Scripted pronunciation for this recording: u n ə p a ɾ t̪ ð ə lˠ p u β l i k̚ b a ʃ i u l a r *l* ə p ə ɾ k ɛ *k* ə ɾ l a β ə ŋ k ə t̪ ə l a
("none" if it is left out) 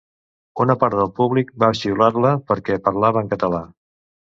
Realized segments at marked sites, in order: l, p

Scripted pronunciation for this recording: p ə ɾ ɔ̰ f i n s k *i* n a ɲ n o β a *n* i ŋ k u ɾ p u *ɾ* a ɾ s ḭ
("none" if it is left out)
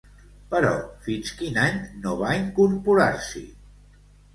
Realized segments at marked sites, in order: i, none, ɾ

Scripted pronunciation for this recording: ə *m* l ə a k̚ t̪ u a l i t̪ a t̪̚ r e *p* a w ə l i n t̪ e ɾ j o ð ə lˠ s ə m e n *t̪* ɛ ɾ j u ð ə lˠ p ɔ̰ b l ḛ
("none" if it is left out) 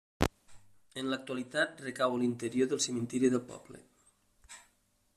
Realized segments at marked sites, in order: n, k, t̪

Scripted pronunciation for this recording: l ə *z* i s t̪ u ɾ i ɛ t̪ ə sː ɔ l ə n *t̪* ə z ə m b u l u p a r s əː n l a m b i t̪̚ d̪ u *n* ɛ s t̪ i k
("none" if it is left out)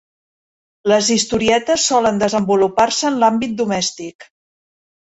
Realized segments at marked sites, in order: z, d̪, m

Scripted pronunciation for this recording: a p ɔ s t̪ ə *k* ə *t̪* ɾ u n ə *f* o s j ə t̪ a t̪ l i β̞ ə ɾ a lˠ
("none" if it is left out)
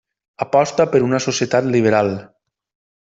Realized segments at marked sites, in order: p, none, s

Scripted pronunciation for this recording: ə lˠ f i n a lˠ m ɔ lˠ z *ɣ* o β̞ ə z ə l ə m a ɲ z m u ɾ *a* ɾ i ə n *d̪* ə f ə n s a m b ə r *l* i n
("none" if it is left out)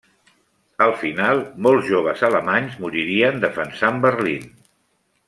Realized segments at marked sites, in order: ʒ, i, d̪, l

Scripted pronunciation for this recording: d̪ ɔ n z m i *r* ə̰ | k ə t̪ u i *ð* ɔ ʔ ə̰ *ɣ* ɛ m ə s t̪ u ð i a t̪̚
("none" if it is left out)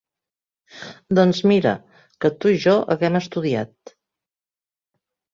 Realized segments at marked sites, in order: ɾ, ʒ, ɣ

